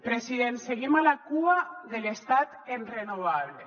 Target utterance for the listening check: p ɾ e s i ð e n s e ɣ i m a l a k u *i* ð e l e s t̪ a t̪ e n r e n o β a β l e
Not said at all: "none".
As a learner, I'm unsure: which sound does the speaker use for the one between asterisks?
a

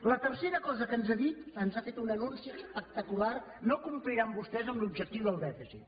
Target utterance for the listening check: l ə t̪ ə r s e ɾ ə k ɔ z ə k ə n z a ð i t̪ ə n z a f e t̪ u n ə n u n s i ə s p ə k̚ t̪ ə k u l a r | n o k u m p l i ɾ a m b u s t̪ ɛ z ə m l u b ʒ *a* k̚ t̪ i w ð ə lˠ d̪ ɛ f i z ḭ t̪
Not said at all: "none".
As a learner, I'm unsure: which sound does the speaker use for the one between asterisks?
ə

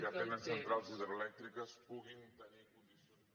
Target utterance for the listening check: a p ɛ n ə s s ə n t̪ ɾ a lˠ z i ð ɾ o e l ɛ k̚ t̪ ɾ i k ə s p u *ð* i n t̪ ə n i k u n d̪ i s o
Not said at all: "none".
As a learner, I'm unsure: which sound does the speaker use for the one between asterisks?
ɣ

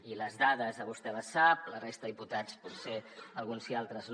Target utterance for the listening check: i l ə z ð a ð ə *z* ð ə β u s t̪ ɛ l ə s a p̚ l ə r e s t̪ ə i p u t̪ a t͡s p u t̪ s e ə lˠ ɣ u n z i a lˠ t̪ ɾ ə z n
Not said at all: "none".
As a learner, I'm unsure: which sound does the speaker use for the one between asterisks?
z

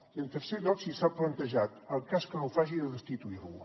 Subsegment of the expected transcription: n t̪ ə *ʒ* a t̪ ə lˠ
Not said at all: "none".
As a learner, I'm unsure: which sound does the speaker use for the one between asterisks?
ʒ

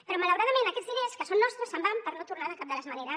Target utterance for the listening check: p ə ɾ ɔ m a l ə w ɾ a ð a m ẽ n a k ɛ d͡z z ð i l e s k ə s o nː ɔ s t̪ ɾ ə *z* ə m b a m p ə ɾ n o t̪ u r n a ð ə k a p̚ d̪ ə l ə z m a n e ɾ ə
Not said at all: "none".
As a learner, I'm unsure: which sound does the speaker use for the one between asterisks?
s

